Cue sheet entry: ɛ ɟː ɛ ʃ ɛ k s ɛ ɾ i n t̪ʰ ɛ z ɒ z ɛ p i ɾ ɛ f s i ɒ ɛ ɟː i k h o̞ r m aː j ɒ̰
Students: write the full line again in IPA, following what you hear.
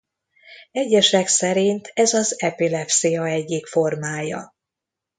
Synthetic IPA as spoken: ɛ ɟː ɛ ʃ ɛ k s ɛ ɾ i n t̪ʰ ɛ z ɒ z ɛ p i l ɛ f s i ɒ ɛ ɟː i k f o̞ r m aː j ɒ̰